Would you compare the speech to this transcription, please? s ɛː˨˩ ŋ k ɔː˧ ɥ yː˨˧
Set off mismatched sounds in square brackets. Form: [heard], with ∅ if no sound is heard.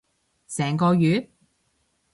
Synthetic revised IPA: s ɛː˨˩ ŋ k ɔː˧ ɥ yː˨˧